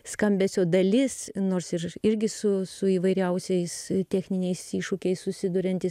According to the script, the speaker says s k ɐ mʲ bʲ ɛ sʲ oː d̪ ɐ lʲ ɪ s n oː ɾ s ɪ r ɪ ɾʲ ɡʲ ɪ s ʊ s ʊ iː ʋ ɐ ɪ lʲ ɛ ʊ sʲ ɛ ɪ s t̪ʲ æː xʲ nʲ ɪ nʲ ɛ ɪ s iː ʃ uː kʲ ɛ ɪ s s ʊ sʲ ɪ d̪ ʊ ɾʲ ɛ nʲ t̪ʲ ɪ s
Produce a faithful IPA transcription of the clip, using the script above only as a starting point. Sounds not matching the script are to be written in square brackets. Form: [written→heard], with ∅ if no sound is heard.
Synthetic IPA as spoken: s k ɐ mʲ bʲ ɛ sʲ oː d̪ ɐ lʲ ɪ s n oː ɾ s ɪ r ɪ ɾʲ ɡʲ ɪ s ʊ s ʊ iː ʋ ɐ ɪ [lʲ→ɾʲ] ɛ ʊ sʲ ɛ ɪ s t̪ʲ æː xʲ nʲ ɪ nʲ ɛ ɪ s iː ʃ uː kʲ ɛ ɪ s s ʊ sʲ ɪ d̪ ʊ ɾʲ ɛ nʲ t̪ʲ ɪ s